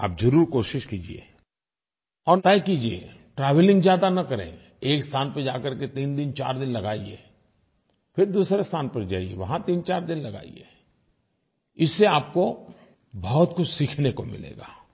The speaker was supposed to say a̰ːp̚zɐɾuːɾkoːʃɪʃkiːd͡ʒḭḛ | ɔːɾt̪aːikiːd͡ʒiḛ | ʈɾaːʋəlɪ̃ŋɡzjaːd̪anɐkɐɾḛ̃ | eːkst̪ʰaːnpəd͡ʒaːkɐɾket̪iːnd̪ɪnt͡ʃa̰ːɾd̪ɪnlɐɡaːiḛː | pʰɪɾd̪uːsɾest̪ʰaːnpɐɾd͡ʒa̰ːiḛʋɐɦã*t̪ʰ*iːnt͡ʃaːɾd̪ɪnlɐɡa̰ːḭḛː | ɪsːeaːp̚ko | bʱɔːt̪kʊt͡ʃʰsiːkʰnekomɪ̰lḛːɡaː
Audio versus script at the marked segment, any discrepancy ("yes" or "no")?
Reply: yes